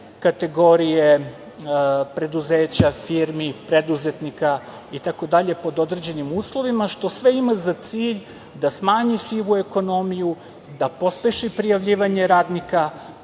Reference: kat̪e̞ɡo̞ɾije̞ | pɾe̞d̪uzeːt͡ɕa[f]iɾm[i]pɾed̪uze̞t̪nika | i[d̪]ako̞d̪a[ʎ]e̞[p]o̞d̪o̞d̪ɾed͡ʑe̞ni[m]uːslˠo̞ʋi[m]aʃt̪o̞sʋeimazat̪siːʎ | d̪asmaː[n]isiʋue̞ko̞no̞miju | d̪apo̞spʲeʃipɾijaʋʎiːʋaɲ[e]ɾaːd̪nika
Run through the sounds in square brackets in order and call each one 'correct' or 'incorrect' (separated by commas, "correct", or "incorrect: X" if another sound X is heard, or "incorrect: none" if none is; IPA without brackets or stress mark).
correct, correct, incorrect: t̪, correct, correct, correct, correct, incorrect: ɲ, correct